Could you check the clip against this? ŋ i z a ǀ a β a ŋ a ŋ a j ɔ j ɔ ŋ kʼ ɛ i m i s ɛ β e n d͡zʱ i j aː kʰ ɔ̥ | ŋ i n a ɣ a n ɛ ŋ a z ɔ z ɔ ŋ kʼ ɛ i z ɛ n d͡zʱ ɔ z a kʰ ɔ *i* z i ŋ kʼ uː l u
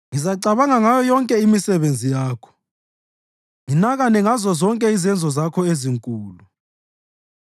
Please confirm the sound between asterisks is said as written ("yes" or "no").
no